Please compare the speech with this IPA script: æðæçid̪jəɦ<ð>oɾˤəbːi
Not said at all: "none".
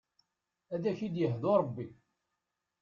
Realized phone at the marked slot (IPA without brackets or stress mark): ð